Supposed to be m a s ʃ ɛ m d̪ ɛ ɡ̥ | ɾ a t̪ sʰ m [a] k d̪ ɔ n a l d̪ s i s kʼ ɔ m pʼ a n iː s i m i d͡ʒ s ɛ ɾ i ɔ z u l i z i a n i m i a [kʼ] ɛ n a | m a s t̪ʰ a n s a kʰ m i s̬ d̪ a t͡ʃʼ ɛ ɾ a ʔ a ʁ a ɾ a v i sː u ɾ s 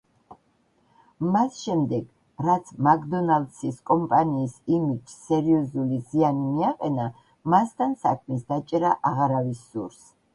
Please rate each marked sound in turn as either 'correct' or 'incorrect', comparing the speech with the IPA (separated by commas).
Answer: correct, incorrect